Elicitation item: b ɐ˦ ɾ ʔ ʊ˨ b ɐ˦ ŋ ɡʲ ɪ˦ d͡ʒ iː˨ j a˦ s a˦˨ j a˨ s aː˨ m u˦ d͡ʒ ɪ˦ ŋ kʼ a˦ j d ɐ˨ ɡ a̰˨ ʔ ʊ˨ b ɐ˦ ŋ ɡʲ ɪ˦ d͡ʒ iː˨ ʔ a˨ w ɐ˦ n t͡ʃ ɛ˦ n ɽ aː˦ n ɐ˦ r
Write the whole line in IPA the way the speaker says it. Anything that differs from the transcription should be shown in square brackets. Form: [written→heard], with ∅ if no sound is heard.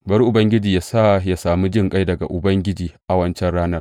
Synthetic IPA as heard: b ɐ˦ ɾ ʔ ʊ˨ b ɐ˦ ŋ ɡʲ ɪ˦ d͡ʒ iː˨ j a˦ s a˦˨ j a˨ s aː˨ m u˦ d͡ʒ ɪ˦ ŋ kʼ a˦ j d ɐ˨ ɡ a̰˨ ʔ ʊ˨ b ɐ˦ ŋ ɡʲ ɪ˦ d͡ʒ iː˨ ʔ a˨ w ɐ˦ n t͡ʃ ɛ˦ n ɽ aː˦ n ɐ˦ r